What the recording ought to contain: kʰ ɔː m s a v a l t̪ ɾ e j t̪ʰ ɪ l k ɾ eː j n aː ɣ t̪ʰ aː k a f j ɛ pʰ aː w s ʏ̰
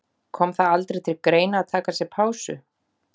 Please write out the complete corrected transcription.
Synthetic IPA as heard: kʰ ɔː m θ a ð a l t̪ ɾ e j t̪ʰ ɪ l k ɾ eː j n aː ð t̪ʰ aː k a s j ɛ pʰ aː w s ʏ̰